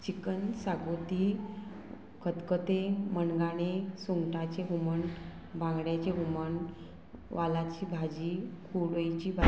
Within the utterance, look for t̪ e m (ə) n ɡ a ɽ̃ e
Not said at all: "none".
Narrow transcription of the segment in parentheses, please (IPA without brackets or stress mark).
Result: ə